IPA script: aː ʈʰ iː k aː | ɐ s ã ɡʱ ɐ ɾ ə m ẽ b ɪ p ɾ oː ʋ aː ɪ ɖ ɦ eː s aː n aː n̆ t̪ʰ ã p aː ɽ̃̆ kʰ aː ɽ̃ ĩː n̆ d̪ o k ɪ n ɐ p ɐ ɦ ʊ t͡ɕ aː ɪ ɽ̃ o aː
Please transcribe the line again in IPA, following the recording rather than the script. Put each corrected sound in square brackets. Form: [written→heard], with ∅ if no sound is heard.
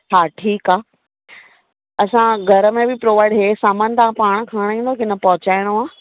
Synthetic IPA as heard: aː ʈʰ iː k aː | ɐ s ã ɡʱ ɐ ɾ ə m ẽ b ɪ p ɾ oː ʋ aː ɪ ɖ ɦ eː s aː [n→m] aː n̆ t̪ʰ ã p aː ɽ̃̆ kʰ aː ɽ̃ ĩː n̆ d̪ o k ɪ n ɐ p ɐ ɦ ʊ t͡ɕ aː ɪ ɽ̃ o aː